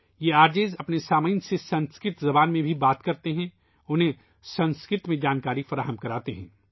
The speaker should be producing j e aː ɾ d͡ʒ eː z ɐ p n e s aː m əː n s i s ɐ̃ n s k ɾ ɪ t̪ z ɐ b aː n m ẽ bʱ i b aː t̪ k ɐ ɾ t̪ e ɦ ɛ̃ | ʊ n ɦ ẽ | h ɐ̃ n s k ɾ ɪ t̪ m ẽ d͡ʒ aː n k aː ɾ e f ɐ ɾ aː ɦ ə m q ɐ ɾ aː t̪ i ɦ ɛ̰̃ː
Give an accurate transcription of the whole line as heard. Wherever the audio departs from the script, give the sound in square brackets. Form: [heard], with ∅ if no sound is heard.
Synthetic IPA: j e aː ɾ d͡ʒ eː z ɐ p n e s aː m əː n s [e] s ɐ̃ n s k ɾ ɪ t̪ z ɐ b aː n m ẽ bʱ i b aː t̪ k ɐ ɾ t̪ e ɦ ɛ̃ | ʊ n ɦ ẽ | [s] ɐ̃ n s k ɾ ɪ t̪ m ẽ d͡ʒ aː n k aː ɾ [i] f ɐ ɾ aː ɦ ə m [k] ɐ ɾ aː t̪ [e] ɦ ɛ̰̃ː

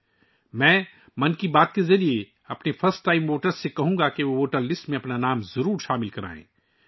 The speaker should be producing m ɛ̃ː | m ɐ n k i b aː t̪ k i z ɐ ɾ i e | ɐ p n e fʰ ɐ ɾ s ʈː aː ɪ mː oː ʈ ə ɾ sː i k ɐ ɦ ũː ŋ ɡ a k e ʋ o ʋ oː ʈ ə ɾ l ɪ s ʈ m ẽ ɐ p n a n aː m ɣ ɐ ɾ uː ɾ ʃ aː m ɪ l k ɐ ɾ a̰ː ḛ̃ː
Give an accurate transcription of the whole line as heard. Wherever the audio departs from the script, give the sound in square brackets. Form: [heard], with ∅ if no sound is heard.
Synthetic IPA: m ɛ̃ː | m ɐ n k i b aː t̪ k [e] z ɐ ɾ i e | ɐ p n e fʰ ɐ ɾ s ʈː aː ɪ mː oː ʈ ə ɾ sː [e] k ɐ ɦ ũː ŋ ɡ a k e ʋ o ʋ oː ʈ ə ɾ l ɪ s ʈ m ẽ ɐ p n a n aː m [z] ɐ ɾ uː ɾ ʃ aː m ɪ l k ɐ ɾ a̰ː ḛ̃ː

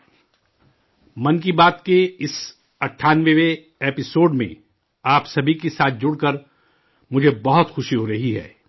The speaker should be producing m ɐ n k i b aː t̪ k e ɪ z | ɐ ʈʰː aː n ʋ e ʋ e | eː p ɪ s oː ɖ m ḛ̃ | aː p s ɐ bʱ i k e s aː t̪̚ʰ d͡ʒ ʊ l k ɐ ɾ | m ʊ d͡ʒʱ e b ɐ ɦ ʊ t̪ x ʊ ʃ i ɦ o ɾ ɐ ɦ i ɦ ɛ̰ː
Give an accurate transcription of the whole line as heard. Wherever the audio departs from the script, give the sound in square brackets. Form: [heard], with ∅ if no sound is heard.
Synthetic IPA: m ɐ n k i b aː t̪ k e ɪ [s] | ɐ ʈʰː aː n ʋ e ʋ e | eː p ɪ s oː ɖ m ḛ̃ | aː p s ɐ bʱ i k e s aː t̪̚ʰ d͡ʒ ʊ [ɽ] k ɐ ɾ | m ʊ d͡ʒʱ e b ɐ ɦ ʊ t̪ x ʊ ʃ i ɦ o ɾ ɐ ɦ i ɦ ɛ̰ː

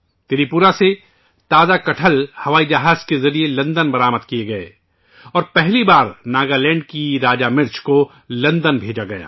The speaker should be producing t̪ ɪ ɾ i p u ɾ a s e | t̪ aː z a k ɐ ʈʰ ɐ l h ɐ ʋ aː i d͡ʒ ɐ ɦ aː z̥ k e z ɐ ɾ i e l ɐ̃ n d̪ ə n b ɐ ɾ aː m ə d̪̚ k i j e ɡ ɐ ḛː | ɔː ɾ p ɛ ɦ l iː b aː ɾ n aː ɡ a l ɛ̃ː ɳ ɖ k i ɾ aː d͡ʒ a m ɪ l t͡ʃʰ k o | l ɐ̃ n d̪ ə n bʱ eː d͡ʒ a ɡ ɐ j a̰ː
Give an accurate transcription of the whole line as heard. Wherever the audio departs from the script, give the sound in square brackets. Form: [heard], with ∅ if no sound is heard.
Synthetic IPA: t̪ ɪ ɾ i p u ɾ a s e | t̪ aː z a k ɐ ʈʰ [ə] l h ɐ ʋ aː i d͡ʒ ɐ ɦ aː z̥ k e z ɐ ɾ i e l ɐ̃ n d̪ ə n b ɐ ɾ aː m ə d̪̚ k i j e ɡ ɐ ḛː | ɔː ɾ p ɛ ɦ l [i] b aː ɾ n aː ɡ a l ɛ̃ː ɳ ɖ k i ɾ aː d͡ʒ a m ɪ [ɾ] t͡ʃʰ k o | l ɐ̃ n d̪ ə n bʱ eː d͡ʒ a ɡ ɐ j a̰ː

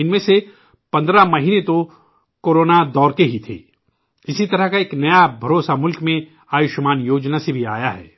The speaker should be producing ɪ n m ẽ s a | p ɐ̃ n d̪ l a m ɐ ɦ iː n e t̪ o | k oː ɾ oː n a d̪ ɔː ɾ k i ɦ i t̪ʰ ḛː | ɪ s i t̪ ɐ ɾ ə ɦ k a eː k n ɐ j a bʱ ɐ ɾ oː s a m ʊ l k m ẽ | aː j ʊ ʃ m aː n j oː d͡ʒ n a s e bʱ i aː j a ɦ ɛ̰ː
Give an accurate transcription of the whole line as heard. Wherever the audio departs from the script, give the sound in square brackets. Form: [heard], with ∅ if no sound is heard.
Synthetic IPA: ɪ n m ẽ s [e] | p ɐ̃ n d̪ [ɾ] a m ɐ ɦ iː n e t̪ o | k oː ɾ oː n a d̪ ɔː ɾ k [e] ɦ i t̪ʰ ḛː | ɪ s i t̪ ɐ ɾ ə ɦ k a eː k n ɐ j a bʱ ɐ ɾ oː s a m ʊ l k m ẽ | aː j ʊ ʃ m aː n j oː d͡ʒ n a s e bʱ i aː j a ɦ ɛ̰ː

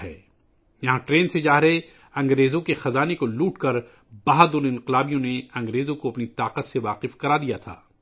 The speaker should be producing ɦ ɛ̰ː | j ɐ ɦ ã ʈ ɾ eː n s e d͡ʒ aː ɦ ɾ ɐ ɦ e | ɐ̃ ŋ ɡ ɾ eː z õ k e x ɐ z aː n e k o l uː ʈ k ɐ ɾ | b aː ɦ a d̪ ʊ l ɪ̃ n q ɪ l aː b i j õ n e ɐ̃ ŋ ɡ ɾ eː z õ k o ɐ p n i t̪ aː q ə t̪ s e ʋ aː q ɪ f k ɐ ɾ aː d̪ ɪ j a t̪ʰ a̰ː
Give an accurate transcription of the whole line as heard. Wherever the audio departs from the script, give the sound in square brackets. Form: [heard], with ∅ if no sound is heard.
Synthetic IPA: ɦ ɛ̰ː | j ɐ ɦ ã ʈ ɾ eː n s e d͡ʒ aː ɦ ɾ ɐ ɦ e | ɐ̃ ŋ ɡ ɾ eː z õ k e x ɐ z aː n e k o l uː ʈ k ɐ ɾ | b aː ɦ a d̪ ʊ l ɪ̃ n q ɪ l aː b i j õ n e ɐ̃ ŋ ɡ ɾ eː z õ k o ɐ p n i t̪ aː q ə t̪ s e ʋ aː q ɪ f k ɐ ɾ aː d̪ [i] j a t̪ʰ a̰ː

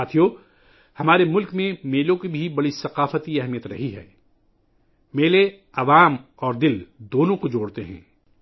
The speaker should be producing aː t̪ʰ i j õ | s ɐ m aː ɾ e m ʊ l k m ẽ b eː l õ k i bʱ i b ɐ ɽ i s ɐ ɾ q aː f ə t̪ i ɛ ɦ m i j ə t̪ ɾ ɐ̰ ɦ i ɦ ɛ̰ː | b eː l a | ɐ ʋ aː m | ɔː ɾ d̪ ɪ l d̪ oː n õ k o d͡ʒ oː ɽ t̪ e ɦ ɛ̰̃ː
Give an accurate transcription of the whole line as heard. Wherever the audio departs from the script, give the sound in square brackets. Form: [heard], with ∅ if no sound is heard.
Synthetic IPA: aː t̪ʰ i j [o] | [h] ɐ m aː ɾ e m ʊ l k m ẽ [m] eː l õ k i bʱ i b ɐ ɽ i s ɐ [∅] q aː f ə t̪ i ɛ ɦ m i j ə t̪ ɾ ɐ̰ ɦ i ɦ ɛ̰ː | [m] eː l [e] | ɐ ʋ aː m | ɔː ɾ d̪ ɪ l d̪ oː n õ k o d͡ʒ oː ɽ t̪ e ɦ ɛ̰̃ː

